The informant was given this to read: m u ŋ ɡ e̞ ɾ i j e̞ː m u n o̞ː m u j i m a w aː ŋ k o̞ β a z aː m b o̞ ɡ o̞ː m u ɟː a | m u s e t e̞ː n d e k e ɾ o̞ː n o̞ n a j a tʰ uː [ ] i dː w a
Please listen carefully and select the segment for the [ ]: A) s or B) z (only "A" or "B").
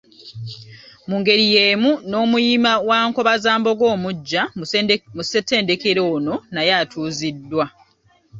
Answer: B